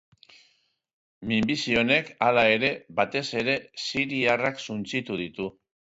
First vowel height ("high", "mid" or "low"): high